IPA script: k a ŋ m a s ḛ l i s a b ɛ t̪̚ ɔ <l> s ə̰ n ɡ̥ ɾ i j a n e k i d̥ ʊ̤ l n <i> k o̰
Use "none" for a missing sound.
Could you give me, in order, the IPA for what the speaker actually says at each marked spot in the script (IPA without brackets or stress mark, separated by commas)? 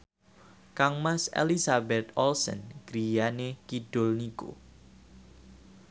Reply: l, i